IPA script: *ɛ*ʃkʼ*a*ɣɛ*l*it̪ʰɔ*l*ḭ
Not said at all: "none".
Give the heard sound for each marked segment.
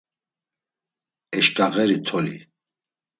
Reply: ɛ, a, ɾ, l

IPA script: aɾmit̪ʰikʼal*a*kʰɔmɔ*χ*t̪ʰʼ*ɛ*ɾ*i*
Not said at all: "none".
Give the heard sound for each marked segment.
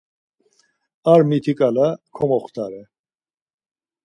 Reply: a, χ, a, ɛ

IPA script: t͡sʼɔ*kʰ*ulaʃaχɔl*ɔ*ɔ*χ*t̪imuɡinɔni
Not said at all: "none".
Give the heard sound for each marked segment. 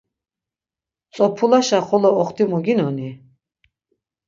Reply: pʰ, ɔ, χ

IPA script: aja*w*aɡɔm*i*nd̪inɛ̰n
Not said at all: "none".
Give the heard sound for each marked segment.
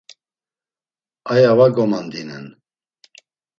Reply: v, a

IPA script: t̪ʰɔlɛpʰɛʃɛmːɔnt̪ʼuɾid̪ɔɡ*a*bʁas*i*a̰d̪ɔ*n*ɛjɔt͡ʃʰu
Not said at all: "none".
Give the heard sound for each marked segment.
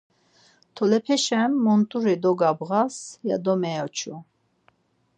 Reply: a, j, m

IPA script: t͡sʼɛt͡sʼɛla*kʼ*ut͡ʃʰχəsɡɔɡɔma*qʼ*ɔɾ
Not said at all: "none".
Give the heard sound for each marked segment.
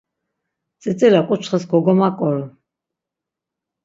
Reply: kʼ, kʼ

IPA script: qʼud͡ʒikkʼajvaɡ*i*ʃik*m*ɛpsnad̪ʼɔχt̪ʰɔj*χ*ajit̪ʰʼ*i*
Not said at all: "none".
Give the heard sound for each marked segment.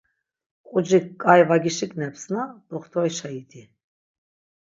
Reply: i, n, ʃ, i

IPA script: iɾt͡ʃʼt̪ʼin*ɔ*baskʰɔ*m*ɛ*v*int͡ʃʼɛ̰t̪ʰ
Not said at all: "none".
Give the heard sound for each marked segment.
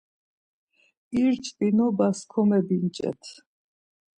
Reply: ɔ, m, b

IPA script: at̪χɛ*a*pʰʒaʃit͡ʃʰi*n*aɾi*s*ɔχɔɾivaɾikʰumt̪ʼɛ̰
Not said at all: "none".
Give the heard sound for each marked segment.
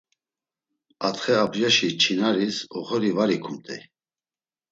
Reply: a, n, s

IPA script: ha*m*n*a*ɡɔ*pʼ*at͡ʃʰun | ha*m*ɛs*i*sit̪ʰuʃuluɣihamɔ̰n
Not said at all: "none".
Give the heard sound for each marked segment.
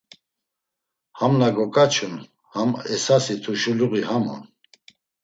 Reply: m, a, kʼ, m, a

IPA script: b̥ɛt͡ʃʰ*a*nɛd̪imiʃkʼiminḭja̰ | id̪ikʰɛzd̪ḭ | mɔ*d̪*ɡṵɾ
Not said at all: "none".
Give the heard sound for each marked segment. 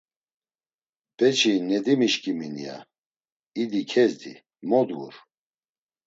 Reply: i, d̪

